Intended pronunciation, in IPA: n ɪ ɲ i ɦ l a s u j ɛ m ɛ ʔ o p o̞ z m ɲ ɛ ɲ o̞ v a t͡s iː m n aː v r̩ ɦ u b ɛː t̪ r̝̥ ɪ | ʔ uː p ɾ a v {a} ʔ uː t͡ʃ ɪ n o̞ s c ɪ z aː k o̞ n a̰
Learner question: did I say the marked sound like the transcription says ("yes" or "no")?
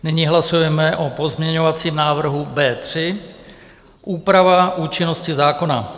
yes